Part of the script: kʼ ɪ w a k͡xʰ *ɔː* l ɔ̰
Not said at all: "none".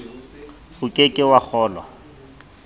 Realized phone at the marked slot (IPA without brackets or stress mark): ɔː